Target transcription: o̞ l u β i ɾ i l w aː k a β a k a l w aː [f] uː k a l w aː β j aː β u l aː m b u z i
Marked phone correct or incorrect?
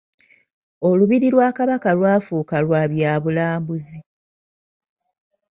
correct